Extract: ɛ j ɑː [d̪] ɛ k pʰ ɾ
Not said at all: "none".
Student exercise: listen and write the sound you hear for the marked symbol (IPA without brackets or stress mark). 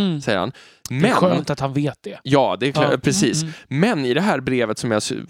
d̪